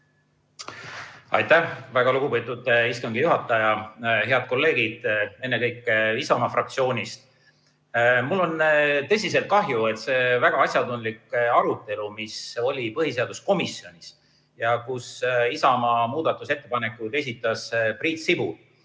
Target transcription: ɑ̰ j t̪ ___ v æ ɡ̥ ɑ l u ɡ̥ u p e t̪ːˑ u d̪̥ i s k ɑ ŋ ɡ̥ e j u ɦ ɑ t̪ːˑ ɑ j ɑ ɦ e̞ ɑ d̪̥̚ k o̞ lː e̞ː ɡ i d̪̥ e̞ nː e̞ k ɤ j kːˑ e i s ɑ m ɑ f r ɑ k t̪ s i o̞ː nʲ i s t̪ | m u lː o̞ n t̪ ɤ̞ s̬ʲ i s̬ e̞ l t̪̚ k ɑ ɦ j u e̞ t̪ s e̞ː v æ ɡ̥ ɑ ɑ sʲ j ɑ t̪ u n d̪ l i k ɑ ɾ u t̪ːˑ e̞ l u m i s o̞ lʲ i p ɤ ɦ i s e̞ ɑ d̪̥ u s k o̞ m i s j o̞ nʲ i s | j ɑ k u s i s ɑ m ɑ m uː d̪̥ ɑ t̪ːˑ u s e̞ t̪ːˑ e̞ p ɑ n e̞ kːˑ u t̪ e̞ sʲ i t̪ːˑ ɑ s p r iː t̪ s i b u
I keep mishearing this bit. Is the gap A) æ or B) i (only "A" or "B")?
A